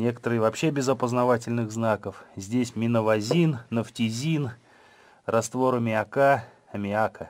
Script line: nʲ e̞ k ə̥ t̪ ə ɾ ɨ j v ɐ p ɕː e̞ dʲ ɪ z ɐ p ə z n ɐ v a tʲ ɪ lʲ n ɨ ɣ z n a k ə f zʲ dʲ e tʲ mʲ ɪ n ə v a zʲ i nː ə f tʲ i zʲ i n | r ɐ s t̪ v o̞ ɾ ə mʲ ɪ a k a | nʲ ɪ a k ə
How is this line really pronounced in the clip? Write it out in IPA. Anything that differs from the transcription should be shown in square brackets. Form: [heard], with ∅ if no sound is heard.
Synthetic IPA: nʲ e̞ k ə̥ t̪ ə ɾ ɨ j v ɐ p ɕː e̞ [bʲ] ɪ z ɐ p ə z n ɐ v a tʲ ɪ lʲ n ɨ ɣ z n a k ə f zʲ dʲ e [sʲ] mʲ ɪ n ə v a zʲ i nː ə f tʲ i zʲ i n | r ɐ s t̪ v o̞ ɾ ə mʲ ɪ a k a | [mʲ] ɪ a k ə